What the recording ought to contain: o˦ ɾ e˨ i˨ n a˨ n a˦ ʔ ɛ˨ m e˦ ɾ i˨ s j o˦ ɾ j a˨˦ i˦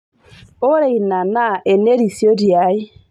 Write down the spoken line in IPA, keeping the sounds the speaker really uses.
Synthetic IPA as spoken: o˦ ɾ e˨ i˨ n a˨ n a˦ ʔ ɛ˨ n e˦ ɾ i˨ s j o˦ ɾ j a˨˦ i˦